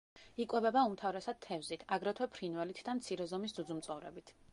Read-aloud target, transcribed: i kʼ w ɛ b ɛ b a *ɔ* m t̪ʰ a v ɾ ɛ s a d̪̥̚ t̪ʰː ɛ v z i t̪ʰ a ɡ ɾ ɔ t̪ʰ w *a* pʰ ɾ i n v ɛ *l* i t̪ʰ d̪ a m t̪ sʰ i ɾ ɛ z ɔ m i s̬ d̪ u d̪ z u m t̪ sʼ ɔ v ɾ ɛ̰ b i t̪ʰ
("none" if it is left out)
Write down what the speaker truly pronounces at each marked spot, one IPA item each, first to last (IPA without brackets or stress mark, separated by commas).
u, ɛ, l